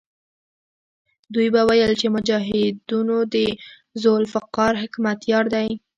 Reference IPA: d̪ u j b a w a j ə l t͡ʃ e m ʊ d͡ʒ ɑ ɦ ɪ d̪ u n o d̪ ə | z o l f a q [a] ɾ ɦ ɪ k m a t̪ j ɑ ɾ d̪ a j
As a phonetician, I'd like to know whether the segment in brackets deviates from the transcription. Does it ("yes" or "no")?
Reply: yes